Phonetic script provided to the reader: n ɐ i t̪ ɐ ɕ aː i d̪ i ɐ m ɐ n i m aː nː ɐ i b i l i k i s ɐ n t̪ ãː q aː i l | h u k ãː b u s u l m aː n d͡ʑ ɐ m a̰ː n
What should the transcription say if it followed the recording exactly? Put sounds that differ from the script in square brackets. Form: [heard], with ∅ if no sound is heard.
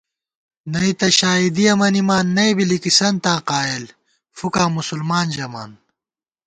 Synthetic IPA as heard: n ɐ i t̪ ɐ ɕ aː i d̪ i ɐ m ɐ n i m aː nː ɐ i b i l i k i s ɐ n t̪ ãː q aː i l | [f] u k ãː [m] u s u l m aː n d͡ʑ ɐ m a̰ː n

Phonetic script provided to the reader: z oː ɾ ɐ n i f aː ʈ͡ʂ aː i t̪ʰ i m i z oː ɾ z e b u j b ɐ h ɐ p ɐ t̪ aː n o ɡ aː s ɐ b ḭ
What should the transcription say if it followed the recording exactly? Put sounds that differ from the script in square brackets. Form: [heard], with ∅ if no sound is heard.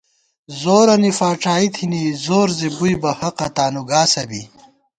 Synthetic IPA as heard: z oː ɾ ɐ n i f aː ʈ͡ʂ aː i t̪ʰ i [n] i z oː ɾ z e b u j b ɐ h ɐ [q] ɐ t̪ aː n [u] ɡ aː s ɐ b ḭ

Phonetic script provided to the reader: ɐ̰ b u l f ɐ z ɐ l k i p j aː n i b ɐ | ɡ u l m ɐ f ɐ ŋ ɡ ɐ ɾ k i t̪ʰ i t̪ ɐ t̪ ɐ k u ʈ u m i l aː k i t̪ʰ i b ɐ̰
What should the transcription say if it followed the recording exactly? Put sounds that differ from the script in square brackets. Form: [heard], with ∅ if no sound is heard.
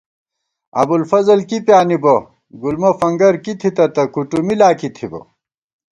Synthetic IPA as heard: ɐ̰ b u l f ɐ z ɐ l k i p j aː n i b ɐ | ɡ u l m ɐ f ɐ ŋ ɡ ɐ ɾ k i t̪ʰ i t̪ ɐ t̪ ɐ k u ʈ u m i l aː k i t̪ʰ i b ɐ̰

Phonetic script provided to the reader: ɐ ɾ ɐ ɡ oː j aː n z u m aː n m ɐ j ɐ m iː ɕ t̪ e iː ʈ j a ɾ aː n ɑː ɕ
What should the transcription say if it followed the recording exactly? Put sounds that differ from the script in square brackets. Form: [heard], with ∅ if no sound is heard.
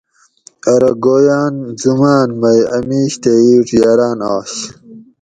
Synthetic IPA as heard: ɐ ɾ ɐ ɡ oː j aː n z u m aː n m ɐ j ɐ m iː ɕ t̪ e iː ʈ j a ɾ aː n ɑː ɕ

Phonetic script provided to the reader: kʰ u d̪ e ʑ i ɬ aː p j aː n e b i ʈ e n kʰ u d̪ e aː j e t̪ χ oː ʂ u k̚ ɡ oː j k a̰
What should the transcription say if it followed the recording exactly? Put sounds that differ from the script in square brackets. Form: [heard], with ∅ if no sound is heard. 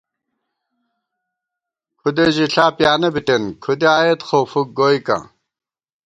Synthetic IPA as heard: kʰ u d̪ e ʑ i ɬ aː p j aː n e b i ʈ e n kʰ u d̪ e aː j e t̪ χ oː [f] u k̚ ɡ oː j k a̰

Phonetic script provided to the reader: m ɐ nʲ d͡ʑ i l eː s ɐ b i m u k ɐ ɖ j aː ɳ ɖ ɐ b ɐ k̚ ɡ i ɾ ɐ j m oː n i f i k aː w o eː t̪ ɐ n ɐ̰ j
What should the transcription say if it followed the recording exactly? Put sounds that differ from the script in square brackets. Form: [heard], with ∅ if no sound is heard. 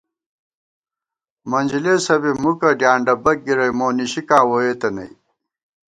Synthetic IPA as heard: m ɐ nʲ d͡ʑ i l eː s ɐ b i m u k ɐ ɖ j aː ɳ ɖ ɐ b ɐ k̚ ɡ i ɾ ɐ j m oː n i [ɕ] i k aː w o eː t̪ ɐ n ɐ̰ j

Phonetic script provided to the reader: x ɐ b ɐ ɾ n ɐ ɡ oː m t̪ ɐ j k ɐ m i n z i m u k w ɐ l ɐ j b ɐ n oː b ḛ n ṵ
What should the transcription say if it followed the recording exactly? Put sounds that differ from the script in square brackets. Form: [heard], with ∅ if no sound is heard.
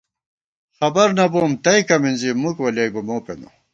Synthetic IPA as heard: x ɐ b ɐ ɾ n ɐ [b] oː m t̪ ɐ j k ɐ m i n z i m u k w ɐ l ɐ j b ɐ [m] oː [p] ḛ n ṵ

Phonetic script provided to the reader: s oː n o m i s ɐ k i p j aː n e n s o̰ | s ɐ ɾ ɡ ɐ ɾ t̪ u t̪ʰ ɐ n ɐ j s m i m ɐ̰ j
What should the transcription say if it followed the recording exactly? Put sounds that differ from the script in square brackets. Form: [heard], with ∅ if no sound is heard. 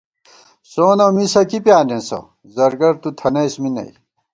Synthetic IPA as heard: s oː n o m i s ɐ k i p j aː n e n s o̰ | [z] ɐ ɾ ɡ ɐ ɾ t̪ u t̪ʰ ɐ n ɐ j s m i [n] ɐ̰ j

